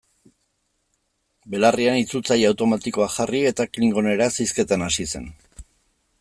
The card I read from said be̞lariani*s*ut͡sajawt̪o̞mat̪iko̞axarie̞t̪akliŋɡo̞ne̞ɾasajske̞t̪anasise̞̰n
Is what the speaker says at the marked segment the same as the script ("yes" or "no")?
no